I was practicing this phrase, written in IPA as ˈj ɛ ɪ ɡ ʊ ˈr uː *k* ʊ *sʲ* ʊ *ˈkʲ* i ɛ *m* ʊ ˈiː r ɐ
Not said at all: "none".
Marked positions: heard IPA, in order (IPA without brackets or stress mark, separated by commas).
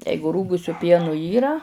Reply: ɡ, sʲ, pʲ, n